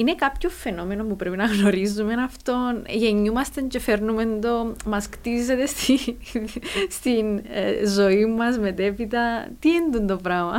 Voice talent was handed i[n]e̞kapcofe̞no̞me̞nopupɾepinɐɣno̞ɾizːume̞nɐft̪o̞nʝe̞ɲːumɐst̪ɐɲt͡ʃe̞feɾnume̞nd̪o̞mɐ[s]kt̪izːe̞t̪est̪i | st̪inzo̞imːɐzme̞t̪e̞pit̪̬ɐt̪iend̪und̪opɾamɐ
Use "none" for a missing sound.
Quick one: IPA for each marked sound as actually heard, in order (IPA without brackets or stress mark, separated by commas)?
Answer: n, s